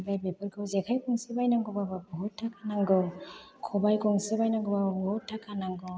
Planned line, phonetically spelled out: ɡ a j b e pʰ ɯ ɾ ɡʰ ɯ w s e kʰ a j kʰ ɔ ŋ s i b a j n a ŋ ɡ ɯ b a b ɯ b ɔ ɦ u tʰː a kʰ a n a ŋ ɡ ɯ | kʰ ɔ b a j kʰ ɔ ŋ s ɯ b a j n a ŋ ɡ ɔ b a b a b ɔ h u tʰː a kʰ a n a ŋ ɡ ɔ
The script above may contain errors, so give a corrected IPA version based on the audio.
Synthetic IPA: b a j b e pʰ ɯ ɾ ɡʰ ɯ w z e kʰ a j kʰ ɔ ŋ s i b a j n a ŋ ɡ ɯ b a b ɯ b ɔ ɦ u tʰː a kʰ a n a ŋ ɡ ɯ | kʰ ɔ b a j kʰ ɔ ŋ s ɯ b a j n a ŋ ɡ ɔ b a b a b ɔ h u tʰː a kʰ a n a ŋ ɡ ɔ